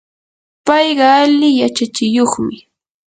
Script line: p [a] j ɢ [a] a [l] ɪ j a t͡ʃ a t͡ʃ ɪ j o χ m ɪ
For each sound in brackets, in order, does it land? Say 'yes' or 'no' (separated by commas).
no, no, yes